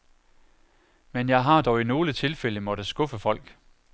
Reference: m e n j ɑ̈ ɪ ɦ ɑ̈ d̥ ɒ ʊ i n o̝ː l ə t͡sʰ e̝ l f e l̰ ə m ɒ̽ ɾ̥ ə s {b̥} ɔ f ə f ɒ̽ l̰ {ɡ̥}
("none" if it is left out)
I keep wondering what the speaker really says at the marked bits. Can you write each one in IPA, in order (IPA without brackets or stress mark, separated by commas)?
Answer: ɡ̥, ɡ̥